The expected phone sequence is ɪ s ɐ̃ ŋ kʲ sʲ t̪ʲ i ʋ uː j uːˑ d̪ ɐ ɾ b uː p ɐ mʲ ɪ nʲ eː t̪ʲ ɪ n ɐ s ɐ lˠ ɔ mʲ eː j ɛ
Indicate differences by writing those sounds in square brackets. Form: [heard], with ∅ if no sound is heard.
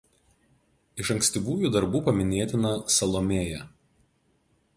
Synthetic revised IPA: ɪ [ʃ] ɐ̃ ŋ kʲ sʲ t̪ʲ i ʋ uː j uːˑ d̪ ɐ ɾ b uː p ɐ mʲ ɪ nʲ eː t̪ʲ ɪ n ɐ s ɐ lˠ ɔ mʲ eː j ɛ